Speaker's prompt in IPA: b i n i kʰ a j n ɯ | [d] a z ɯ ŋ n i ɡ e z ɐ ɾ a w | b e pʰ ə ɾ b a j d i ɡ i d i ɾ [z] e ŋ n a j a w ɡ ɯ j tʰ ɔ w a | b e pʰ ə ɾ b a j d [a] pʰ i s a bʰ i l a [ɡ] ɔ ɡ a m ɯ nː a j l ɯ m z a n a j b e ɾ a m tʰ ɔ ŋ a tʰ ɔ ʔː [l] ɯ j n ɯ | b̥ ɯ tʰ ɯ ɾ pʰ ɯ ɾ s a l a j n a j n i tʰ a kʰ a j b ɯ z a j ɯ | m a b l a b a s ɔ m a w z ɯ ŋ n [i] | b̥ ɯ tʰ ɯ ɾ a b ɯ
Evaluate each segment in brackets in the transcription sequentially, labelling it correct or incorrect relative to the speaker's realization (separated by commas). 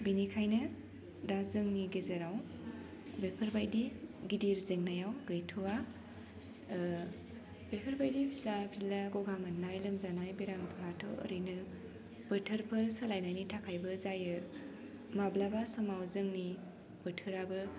correct, correct, incorrect, correct, incorrect, correct